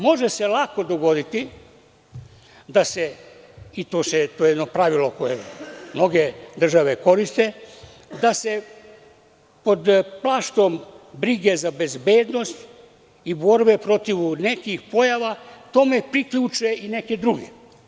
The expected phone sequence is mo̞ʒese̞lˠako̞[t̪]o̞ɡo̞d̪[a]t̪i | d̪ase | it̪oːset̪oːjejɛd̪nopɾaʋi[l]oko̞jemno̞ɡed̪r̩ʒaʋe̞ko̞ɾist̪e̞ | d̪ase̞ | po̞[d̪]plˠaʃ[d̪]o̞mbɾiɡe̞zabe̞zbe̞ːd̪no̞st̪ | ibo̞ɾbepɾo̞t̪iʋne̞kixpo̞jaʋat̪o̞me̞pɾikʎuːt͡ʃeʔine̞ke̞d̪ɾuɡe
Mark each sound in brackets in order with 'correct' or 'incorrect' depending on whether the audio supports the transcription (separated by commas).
incorrect, incorrect, correct, correct, incorrect